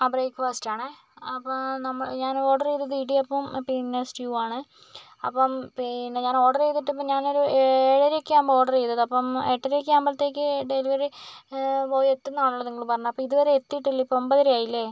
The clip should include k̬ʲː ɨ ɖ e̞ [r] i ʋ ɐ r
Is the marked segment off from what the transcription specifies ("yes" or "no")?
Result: yes